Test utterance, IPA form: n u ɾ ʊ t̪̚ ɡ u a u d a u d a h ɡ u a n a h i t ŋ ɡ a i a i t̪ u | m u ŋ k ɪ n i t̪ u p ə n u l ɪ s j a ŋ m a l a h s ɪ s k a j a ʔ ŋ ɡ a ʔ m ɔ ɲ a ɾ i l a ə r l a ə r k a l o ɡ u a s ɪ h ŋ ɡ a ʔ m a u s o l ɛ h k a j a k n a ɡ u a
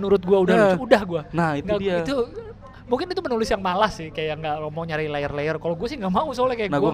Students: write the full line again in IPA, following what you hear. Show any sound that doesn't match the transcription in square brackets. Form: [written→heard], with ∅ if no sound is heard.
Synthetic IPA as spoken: n u ɾ ʊ t̪̚ ɡ u a u d a u d a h ɡ u a n a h i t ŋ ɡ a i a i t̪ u | m u ŋ k ɪ n i t̪ u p ə n u l ɪ s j a ŋ m a l a h s ɪ [s→h] k a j a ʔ ŋ ɡ a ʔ m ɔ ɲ a ɾ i l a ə r l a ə r k a l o ɡ u a s ɪ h ŋ ɡ a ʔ m a u s o l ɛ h k a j a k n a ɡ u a